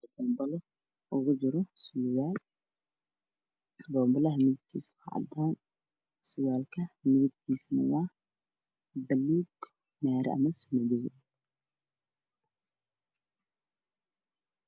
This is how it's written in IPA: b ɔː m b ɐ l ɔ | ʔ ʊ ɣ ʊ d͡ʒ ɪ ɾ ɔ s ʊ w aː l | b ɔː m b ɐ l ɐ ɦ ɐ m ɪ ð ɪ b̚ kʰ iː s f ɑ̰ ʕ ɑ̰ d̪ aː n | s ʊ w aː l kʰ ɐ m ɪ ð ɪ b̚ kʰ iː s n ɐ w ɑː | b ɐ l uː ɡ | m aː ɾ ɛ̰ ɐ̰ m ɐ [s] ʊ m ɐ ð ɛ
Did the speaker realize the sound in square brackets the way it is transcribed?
yes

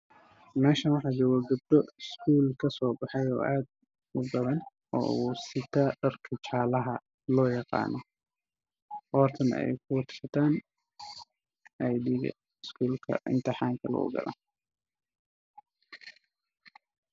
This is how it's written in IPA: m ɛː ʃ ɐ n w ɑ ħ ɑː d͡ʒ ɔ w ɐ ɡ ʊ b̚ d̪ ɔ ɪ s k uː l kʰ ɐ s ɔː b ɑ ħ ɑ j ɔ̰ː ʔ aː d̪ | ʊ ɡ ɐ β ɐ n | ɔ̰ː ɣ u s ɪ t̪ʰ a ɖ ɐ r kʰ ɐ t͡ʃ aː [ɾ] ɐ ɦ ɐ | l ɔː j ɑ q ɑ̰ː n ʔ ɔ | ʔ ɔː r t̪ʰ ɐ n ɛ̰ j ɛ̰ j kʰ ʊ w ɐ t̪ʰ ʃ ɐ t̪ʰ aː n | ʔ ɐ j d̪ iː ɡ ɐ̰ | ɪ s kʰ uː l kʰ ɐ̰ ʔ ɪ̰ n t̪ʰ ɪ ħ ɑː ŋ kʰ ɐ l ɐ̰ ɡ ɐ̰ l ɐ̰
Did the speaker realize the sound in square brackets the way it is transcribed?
no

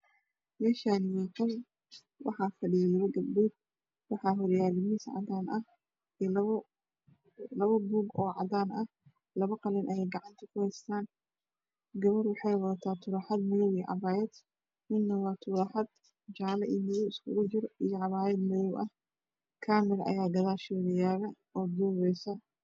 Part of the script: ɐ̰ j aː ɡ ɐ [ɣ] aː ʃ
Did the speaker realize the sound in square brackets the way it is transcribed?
no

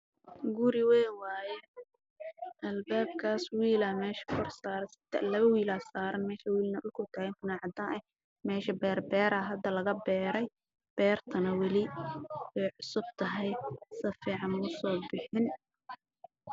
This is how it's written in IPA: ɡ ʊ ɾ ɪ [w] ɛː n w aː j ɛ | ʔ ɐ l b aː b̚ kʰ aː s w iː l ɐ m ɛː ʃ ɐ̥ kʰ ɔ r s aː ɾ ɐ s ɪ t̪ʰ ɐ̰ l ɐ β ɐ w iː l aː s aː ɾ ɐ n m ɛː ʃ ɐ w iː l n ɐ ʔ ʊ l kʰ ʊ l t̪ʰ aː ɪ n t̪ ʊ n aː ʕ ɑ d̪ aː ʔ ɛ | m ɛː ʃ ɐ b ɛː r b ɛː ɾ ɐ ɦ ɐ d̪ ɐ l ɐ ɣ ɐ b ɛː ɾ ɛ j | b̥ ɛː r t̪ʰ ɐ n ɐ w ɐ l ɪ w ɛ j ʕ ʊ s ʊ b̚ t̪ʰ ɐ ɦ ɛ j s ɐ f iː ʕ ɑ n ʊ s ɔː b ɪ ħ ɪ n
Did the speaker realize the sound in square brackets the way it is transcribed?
yes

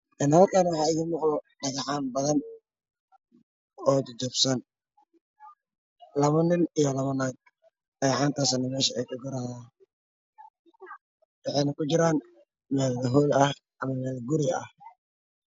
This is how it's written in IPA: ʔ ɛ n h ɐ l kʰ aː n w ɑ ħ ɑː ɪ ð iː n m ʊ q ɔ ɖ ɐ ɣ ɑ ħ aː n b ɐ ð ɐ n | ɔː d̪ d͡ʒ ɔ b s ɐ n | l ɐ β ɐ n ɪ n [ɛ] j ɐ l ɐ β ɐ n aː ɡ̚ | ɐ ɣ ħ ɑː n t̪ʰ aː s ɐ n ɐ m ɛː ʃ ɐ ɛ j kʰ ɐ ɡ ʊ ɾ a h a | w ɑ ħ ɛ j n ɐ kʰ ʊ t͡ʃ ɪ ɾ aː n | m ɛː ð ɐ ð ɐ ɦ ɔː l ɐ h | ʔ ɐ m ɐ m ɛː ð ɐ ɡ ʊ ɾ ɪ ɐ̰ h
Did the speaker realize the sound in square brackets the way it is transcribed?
no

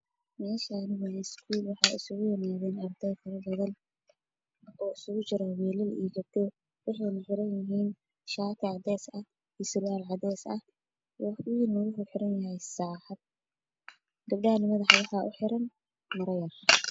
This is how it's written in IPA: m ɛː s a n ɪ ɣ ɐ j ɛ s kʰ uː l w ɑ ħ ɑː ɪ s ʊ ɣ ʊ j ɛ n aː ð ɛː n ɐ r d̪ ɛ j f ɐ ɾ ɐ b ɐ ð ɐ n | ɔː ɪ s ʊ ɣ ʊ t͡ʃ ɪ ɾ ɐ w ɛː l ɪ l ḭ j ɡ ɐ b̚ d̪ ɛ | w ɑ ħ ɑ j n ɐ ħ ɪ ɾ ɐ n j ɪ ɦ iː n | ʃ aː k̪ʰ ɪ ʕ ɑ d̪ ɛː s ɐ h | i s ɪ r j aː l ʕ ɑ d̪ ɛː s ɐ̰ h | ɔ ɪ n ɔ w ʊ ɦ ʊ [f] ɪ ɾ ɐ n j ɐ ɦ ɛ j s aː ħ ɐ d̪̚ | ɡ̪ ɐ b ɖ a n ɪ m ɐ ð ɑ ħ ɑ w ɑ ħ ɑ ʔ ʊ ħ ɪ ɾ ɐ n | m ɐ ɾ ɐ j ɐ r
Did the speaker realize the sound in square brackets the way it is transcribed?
no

